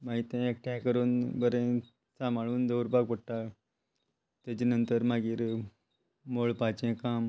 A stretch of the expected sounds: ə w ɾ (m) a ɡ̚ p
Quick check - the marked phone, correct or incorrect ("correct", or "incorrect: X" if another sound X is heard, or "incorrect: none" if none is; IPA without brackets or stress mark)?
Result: incorrect: b